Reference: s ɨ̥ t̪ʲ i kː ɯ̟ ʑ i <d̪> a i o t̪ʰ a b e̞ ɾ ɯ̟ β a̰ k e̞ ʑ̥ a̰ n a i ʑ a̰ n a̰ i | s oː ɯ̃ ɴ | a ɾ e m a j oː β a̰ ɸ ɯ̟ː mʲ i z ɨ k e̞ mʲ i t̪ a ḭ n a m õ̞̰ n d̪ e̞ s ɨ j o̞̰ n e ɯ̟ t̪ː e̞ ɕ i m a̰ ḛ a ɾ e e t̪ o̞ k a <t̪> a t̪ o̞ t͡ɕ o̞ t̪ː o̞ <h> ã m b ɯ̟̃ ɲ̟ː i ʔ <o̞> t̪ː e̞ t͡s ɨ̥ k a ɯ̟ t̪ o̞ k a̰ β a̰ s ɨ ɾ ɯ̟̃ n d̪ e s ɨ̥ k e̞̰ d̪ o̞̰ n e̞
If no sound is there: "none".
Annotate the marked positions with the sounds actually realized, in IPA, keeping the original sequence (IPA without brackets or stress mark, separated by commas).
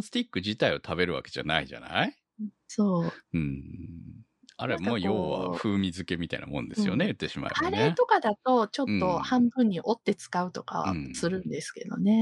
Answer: t̪, d̪, h, o̞